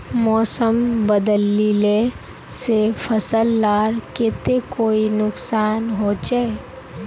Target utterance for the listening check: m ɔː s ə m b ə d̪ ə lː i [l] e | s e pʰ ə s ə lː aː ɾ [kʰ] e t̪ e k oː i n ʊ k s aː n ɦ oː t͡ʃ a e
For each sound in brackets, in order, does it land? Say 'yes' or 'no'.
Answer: yes, no

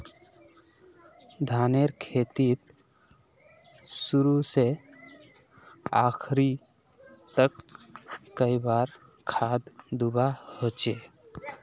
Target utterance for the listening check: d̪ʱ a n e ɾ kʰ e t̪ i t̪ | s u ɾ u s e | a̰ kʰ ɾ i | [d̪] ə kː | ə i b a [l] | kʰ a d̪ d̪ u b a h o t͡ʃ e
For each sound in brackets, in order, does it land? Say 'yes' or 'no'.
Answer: no, no

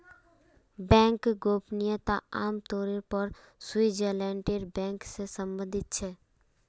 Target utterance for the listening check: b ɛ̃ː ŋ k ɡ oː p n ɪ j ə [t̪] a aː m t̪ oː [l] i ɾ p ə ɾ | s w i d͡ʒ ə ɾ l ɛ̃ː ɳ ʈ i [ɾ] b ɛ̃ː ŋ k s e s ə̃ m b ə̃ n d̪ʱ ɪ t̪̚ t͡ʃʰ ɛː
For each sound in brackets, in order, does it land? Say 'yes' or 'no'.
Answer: yes, no, yes

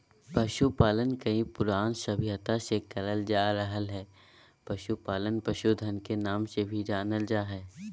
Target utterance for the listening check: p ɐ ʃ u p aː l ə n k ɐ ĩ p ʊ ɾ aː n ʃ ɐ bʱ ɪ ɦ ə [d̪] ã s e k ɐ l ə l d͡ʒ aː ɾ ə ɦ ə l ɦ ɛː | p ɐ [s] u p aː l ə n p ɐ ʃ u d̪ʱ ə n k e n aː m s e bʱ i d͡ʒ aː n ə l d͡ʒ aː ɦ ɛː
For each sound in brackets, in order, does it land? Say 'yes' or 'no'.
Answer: no, no

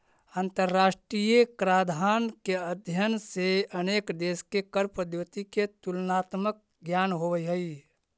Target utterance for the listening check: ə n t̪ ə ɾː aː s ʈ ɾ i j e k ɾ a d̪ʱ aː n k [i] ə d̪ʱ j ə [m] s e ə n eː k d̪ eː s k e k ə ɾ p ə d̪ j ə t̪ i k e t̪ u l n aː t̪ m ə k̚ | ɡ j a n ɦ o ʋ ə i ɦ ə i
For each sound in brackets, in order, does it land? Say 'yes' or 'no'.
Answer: no, no

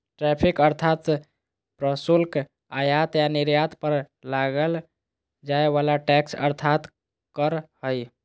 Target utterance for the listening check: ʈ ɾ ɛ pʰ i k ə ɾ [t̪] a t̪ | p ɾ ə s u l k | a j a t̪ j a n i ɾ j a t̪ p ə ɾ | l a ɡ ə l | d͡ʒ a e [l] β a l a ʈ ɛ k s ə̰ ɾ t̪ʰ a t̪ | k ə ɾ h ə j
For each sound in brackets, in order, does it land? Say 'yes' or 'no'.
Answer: no, no

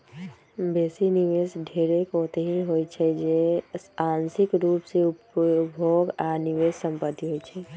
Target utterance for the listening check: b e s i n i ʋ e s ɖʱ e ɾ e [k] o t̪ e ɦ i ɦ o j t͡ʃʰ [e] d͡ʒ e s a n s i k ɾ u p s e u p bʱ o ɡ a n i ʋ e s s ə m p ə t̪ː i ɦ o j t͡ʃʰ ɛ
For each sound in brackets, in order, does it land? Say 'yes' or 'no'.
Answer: yes, no

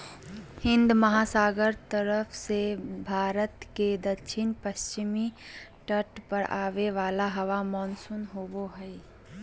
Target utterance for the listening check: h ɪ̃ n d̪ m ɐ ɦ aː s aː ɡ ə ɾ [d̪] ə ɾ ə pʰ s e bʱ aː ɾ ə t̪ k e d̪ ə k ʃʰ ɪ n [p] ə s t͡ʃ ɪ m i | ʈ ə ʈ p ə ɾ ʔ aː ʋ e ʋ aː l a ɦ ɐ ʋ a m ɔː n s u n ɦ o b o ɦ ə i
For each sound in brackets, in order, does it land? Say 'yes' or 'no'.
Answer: no, yes

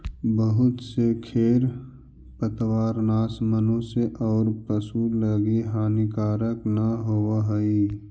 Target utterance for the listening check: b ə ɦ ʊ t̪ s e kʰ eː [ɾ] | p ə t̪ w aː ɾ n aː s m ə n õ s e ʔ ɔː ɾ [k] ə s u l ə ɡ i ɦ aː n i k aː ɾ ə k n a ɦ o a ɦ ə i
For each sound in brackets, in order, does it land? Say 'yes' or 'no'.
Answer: yes, no

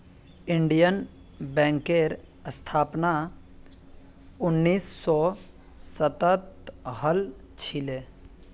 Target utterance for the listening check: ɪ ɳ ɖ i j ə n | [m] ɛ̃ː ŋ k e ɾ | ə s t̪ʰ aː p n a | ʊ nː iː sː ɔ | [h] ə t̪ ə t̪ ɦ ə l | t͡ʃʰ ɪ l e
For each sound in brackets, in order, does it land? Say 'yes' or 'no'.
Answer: no, no

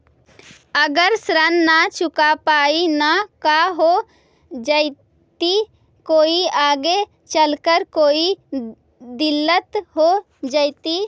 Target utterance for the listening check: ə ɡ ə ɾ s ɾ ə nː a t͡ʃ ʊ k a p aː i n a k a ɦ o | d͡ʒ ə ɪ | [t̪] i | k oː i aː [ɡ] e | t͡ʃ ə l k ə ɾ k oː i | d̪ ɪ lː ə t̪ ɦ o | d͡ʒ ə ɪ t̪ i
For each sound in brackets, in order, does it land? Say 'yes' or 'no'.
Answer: yes, yes

